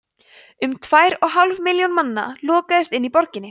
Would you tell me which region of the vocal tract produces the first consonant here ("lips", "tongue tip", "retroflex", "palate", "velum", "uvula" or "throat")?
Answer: lips